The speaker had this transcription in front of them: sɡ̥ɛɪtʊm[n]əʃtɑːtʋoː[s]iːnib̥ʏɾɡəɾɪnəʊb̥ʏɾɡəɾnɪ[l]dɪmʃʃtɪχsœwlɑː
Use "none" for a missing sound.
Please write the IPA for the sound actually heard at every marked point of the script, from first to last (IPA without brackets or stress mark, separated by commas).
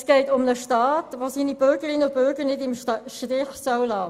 n, s, none